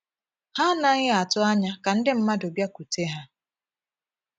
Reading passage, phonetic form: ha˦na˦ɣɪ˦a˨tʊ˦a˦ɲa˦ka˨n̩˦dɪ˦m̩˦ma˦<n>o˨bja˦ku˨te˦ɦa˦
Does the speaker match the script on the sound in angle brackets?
no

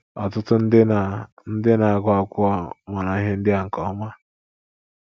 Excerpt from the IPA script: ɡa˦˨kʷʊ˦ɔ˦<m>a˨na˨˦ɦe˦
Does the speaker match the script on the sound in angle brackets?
yes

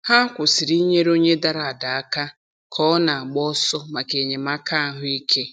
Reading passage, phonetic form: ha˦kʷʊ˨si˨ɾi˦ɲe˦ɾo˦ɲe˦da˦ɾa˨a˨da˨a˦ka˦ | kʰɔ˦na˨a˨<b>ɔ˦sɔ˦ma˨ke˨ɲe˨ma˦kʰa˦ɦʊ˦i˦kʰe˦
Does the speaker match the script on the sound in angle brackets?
no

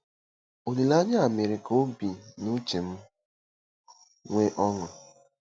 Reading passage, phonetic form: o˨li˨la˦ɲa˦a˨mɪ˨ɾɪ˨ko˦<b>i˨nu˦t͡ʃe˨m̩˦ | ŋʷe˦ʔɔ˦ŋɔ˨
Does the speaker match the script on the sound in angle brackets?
yes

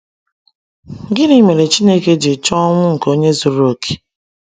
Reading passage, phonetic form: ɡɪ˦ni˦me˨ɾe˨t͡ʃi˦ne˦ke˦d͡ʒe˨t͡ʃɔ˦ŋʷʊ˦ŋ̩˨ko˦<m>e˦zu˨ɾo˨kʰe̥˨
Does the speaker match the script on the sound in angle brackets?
no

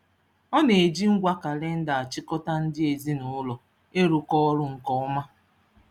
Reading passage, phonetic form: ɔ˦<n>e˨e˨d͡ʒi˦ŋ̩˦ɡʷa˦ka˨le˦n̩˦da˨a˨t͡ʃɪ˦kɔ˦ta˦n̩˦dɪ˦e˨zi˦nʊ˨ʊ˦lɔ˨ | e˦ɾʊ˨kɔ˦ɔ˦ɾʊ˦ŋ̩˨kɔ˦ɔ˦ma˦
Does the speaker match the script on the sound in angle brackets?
yes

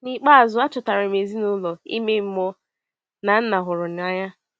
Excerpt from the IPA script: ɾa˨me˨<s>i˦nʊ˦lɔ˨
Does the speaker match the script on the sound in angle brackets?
no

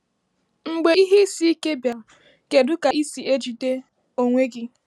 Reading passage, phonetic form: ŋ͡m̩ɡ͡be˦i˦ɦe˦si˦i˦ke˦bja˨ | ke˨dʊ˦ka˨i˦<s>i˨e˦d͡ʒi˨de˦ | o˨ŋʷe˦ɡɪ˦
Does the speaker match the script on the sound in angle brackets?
yes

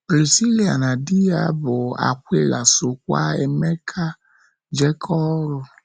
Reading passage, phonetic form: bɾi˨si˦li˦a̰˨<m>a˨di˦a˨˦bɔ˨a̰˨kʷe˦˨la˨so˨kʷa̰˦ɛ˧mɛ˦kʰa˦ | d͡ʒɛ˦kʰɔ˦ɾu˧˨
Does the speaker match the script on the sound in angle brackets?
no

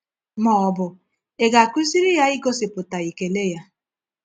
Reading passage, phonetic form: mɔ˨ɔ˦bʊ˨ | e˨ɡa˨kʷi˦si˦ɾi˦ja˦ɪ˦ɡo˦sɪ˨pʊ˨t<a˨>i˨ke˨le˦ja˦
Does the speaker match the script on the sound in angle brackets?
yes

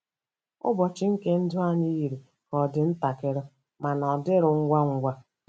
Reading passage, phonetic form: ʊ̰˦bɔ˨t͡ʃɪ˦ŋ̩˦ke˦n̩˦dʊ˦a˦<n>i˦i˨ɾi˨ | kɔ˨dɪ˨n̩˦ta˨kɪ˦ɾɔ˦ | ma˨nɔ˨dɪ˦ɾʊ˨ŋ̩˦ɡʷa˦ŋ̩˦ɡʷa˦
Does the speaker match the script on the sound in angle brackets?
no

